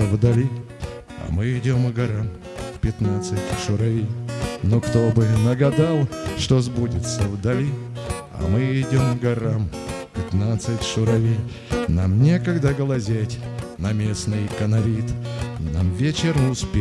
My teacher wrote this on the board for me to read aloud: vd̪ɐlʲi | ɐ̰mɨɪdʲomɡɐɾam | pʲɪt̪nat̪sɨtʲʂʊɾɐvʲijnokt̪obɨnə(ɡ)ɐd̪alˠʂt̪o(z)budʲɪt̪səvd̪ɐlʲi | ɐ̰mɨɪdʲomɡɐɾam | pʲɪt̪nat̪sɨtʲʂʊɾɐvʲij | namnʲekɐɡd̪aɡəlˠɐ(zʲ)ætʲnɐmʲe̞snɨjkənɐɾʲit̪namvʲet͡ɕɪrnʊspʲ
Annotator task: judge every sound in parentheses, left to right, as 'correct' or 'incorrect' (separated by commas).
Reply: correct, correct, correct